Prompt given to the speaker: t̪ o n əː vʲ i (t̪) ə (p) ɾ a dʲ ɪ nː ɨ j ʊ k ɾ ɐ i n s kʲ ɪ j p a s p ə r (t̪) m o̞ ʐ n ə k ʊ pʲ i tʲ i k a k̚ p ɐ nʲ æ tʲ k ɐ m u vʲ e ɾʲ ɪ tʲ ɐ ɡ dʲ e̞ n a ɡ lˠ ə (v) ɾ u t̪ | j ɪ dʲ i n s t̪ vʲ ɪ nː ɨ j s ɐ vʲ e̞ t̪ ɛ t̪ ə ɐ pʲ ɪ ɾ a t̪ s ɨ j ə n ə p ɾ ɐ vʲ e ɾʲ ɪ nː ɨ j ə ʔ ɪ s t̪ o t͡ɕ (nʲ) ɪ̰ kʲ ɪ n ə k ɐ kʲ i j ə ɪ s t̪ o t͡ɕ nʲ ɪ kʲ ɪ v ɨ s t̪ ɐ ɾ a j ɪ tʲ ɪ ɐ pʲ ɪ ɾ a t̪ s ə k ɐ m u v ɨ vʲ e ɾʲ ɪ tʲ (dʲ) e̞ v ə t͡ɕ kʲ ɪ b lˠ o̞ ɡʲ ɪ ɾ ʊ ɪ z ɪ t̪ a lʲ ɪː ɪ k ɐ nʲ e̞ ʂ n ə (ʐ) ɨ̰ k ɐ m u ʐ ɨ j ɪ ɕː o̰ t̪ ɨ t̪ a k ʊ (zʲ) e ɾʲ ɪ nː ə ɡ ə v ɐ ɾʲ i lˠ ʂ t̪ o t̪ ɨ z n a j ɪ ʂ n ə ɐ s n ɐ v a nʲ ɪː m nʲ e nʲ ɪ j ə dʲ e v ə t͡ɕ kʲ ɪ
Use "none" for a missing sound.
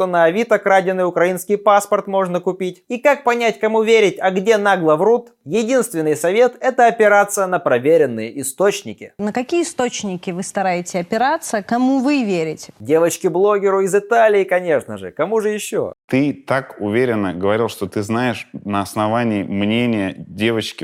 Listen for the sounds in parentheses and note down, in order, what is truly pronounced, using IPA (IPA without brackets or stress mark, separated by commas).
t̪, k, t̪, v, nʲ, dʲ, ʐ, vʲ